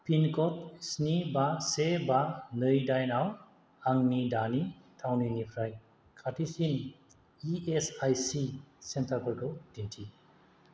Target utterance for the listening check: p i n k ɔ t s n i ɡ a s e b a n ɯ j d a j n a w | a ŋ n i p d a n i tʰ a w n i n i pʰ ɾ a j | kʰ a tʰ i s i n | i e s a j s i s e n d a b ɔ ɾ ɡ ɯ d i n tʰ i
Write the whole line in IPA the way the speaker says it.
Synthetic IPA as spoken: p i n k ɔ t s n i b a s e b a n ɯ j d a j n a w | a ŋ n i d a n i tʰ a w n i n i pʰ ɾ a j | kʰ a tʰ i s i n | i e s a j s i s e n t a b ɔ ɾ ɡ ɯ d i n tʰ i